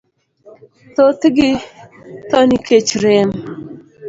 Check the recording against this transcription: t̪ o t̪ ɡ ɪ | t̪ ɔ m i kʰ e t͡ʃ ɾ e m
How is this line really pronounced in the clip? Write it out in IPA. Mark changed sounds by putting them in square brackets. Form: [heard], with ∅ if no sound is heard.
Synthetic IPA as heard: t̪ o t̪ ɡ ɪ | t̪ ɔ [n] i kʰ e t͡ʃ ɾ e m